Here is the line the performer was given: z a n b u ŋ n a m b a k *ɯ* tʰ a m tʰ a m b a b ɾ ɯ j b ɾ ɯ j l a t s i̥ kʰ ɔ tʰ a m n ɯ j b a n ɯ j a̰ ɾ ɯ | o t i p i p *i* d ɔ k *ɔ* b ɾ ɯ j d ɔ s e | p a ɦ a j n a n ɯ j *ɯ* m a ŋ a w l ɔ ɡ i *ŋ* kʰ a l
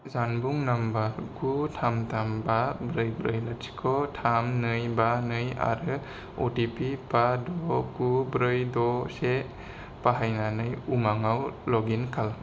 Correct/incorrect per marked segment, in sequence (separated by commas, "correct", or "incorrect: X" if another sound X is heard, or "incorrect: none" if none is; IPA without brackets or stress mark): incorrect: u, incorrect: a, incorrect: u, incorrect: u, incorrect: n